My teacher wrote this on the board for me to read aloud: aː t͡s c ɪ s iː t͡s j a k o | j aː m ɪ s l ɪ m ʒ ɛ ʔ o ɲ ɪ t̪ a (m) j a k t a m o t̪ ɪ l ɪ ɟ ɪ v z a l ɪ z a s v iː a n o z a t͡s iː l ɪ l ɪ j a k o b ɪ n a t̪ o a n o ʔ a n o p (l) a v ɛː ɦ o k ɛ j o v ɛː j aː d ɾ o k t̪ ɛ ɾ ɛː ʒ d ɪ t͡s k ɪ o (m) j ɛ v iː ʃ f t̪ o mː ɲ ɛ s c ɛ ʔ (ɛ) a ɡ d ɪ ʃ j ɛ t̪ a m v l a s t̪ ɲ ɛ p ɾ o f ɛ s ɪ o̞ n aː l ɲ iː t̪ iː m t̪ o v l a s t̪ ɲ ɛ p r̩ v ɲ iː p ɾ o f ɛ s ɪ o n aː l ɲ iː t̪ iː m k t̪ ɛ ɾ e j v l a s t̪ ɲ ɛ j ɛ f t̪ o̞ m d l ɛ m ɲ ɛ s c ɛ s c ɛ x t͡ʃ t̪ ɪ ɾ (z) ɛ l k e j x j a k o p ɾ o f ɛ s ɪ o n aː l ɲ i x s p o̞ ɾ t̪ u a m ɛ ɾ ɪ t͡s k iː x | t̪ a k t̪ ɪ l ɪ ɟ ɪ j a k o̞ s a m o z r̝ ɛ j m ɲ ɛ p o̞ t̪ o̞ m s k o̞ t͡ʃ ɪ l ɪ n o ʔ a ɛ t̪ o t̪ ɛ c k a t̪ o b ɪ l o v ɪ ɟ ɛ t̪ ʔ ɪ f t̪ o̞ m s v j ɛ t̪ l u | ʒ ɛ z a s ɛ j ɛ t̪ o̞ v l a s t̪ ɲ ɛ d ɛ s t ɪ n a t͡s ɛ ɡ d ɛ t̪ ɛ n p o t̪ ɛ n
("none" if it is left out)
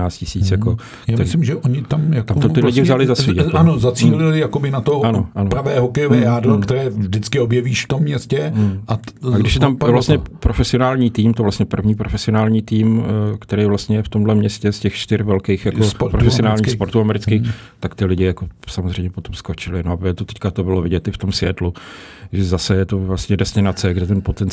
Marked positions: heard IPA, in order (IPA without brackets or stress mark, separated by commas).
m, ɾ, b, a, v